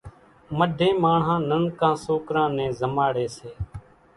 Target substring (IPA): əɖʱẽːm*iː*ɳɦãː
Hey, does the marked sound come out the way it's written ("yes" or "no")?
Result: no